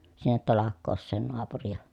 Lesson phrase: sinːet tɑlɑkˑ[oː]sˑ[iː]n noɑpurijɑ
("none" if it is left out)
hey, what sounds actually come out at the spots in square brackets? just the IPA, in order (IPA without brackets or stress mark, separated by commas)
oː, eː